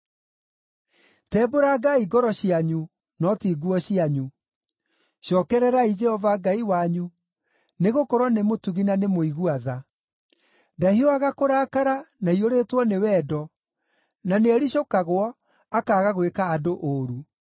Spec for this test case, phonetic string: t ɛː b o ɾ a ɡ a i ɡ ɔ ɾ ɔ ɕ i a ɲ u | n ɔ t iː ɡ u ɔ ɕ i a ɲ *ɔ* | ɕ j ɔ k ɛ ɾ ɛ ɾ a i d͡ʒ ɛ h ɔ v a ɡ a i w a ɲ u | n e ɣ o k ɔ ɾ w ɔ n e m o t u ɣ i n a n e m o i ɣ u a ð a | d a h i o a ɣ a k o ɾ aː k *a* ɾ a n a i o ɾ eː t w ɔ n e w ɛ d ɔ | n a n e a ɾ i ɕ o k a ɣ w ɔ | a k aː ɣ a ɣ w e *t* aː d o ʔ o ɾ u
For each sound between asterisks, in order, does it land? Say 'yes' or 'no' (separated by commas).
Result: no, yes, no